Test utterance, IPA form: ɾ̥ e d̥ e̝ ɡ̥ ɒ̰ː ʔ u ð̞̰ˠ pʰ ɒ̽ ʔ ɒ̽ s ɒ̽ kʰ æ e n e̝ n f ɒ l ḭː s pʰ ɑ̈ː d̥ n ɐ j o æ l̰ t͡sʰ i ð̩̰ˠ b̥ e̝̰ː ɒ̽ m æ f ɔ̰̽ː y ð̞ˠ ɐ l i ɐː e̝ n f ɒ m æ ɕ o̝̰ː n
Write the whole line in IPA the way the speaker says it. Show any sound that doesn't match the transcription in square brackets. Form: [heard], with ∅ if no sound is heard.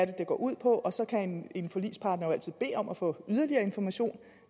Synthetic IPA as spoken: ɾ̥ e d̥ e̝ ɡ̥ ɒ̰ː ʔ u ð̞̰ˠ pʰ ɒ̽ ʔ ɒ̽ s ɒ̽ kʰ æ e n e̝ n f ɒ l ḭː s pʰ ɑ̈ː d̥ n ɐ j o æ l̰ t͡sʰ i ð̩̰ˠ b̥ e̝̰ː ɒ̽ m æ f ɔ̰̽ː y ð̞ˠ ɐ l i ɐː e̝ n f ɒ m æ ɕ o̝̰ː n